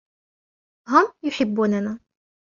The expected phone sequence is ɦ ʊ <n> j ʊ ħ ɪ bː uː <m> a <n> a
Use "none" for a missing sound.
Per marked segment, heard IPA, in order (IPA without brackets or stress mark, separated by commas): m, n, n